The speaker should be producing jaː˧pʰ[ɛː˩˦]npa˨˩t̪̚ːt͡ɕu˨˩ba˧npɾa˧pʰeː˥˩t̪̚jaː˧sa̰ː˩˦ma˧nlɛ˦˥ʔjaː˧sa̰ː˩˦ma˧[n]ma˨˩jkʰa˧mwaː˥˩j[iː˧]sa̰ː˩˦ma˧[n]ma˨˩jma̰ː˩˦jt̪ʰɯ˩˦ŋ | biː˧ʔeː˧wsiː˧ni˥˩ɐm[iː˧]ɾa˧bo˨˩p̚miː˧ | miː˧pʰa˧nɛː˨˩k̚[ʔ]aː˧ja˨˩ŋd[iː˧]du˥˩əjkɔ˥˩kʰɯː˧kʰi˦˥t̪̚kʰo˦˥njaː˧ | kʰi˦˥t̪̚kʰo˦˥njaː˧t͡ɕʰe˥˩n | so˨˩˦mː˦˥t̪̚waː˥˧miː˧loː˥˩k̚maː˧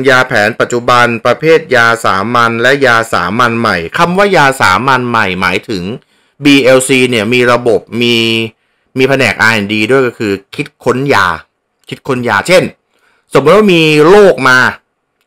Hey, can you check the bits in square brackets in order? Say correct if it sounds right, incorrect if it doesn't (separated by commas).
correct, correct, incorrect, correct, correct, correct, correct